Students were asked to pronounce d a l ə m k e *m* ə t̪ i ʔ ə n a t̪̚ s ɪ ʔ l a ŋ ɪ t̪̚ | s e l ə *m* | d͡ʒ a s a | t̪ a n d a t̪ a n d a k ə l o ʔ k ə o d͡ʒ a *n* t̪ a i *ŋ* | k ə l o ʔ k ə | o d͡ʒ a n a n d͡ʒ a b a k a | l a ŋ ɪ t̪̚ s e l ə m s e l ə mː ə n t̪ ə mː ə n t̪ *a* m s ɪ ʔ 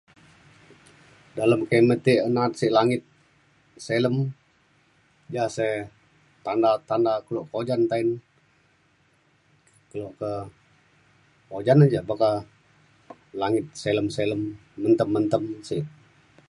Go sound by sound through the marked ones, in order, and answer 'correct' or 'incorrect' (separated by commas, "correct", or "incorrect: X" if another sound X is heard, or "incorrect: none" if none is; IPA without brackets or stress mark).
correct, correct, correct, incorrect: n, incorrect: ə